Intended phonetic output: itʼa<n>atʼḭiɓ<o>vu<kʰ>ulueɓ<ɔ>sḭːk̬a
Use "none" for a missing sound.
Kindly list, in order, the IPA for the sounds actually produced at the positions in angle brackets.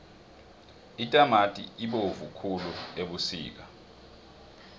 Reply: m, o, kʰ, u

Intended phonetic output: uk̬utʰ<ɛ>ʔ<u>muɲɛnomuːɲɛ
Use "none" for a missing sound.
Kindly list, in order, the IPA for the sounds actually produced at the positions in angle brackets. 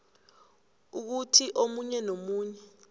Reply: i, o

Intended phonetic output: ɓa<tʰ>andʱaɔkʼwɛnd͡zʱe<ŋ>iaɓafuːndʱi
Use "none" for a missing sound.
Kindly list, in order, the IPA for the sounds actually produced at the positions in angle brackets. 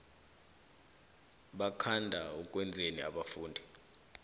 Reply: kʰ, n

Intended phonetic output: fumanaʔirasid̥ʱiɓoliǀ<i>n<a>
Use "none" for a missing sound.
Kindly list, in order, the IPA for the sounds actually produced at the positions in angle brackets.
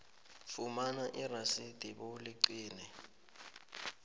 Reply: iː, ɛ

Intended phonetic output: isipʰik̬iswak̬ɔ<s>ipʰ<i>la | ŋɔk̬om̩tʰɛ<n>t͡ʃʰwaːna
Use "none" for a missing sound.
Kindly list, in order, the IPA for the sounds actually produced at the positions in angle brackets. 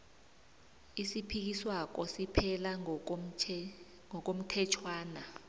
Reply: s, ɛ, none

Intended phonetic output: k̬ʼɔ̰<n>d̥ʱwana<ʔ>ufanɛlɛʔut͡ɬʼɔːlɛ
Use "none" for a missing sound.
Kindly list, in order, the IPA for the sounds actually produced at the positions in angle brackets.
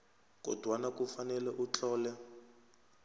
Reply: none, k

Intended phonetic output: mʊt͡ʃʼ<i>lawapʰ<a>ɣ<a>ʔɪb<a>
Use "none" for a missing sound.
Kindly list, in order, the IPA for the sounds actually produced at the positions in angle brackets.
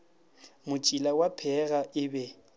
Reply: i, ɛ, a, ɛ

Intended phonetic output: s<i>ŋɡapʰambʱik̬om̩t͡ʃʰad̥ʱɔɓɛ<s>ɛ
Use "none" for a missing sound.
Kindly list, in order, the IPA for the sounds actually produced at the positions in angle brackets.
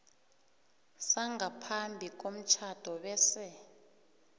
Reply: a, s

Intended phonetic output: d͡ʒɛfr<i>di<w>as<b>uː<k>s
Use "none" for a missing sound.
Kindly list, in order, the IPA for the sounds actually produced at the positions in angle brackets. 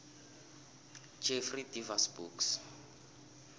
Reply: i, v, b, k

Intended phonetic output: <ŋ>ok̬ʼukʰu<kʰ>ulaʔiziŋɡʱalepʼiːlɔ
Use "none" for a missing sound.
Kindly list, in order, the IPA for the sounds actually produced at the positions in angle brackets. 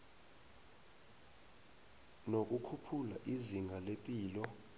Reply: n, pʰ

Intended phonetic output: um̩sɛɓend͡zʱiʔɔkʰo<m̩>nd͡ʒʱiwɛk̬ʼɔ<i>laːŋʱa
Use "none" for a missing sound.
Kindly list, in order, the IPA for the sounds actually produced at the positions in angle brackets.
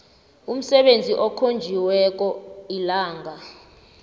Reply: none, i

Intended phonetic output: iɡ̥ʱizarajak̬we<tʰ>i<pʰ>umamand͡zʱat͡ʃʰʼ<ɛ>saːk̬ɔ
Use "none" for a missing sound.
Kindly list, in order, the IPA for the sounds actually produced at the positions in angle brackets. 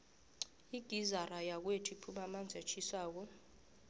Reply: tʰ, pʰ, i

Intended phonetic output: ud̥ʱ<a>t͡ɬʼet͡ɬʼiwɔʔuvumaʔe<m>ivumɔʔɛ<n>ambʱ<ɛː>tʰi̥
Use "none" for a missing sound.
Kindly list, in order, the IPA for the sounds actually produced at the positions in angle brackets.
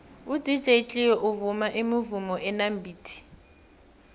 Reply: i, m, n, iː

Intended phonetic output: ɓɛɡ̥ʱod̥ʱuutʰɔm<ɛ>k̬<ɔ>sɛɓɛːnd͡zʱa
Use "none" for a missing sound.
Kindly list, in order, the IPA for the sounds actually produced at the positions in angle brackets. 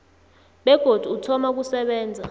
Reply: a, u

